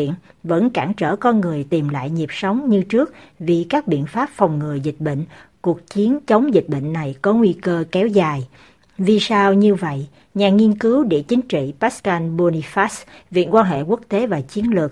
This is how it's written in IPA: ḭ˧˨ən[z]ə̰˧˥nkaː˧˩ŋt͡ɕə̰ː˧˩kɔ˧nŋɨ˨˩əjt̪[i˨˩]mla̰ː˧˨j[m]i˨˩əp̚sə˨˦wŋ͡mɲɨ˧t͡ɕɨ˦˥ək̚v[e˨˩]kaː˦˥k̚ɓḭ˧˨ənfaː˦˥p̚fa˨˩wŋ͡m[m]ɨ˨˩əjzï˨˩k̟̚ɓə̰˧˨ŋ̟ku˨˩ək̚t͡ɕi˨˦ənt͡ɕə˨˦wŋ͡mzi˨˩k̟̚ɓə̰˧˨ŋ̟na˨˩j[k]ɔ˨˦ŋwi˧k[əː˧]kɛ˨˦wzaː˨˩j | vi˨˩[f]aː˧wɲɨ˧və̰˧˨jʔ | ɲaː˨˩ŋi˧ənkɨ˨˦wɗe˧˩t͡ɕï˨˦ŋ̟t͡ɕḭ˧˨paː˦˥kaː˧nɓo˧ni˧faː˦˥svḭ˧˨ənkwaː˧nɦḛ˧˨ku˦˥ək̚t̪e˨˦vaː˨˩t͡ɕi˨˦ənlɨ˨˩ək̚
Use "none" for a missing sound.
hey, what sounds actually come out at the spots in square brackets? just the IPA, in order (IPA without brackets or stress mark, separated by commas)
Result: v, i˨˩, ɲ, i˨˩, ŋ, k, əː˧, s